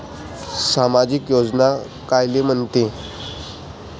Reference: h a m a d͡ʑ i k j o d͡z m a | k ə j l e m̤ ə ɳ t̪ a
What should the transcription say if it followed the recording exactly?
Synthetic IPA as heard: s a m a d͡ʑ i k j o d͡z n a | k a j l e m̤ ə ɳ t̪ e

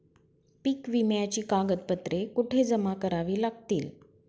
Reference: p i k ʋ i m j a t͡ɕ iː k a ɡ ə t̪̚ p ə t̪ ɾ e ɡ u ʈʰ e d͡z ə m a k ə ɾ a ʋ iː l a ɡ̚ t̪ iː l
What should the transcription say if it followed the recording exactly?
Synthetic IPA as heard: p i k ʋ i m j a t͡ɕ iː k a ɡ ə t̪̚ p ə t̪ ɾ e k u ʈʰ e d͡z ə m a k ə ɾ a ʋ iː l a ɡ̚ t̪ iː l

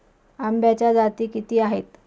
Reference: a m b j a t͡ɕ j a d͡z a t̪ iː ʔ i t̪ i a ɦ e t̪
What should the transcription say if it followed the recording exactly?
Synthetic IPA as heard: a m b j a t͡ɕ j a d͡z a t̪ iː k i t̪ iː a ɦ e t̪

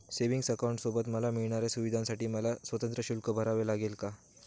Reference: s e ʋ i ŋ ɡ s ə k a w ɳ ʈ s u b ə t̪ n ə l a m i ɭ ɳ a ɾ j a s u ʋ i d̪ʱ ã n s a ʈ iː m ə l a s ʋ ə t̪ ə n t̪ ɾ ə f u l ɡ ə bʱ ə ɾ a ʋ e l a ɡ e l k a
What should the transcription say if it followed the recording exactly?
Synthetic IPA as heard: s e ʋ i ŋ ɡ s ə k a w ɳ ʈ s o b ə t̪ m ə l a m i ɭ ɳ a ɾ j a s u ʋ i d̪ʱ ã n s a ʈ iː m ə l a s ʋ ə t̪ ə n t̪ ɾ ə ɕ u l k ə bʱ ə ɾ a ʋ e l a ɡ e l k a

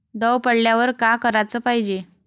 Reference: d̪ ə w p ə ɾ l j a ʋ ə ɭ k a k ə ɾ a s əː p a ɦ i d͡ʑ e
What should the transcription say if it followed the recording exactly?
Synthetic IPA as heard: d̪ ə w p ə ɽ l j a ʋ ə ɾ k a k ə ɾ a t͡s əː p a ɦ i d͡ʑ e

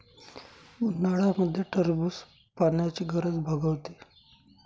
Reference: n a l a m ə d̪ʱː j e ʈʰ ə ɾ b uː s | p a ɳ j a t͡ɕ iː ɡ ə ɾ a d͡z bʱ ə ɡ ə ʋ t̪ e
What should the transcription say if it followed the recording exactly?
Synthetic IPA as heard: n a ɽ a m ə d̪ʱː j e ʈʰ ə ɾ b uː s | p a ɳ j a t͡ɕ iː ɡ ə ɾ ə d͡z bʱ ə ɡ ə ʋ t̪ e

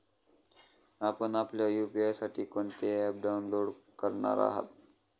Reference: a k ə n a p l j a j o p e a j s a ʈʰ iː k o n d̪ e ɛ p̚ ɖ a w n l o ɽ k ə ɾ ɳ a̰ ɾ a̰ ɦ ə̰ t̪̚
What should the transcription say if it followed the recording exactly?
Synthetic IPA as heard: a p ə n a p l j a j u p i a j s a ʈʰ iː k o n t̪ e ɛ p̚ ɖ a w n l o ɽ k ə ɾ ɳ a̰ ɾ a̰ ɦ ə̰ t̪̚

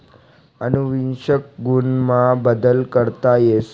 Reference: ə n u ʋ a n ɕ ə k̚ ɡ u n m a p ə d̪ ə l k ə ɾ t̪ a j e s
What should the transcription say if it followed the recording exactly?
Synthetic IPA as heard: ə n u ʋ i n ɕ ə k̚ ɡ u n m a b ə d̪ ə l k ə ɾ t̪ a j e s

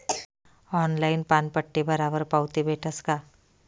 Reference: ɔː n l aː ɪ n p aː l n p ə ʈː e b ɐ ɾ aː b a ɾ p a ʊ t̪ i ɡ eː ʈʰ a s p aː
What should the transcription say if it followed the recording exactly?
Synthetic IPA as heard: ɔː n l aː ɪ n p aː n p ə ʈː e b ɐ ɾ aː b ə ɾ p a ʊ t̪ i b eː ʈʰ ə s k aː

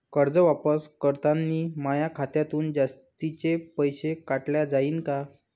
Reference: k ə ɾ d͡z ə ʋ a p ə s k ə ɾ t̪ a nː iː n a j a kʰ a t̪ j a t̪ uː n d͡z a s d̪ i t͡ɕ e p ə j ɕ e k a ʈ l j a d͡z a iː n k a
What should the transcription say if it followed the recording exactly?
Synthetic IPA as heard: k ə ɾ d͡z ə ʋ a p ə s k ə ɾ t̪ a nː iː m a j a kʰ a t̪ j a t̪ uː n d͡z a s t̪ i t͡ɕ e p ə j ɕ e k a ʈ l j a d͡z a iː n k a

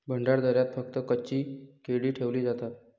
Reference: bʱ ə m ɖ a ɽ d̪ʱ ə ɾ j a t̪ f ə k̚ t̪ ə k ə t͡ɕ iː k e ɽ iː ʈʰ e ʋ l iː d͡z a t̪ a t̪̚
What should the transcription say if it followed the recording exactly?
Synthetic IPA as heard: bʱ ə ɳ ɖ a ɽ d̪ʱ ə ɾ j a t̪ f ə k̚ t̪ ə k ə t͡ɕ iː k e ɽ iː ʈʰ e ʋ l iː d͡z a t̪ a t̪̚

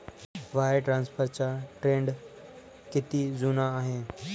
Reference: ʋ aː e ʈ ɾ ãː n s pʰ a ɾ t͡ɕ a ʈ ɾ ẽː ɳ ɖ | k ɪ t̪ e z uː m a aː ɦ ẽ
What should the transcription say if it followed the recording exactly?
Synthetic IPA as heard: ʋ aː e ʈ ɾ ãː n s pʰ ə ɾ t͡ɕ a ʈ ɾ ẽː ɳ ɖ | k ɪ t̪ i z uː n a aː ɦ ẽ

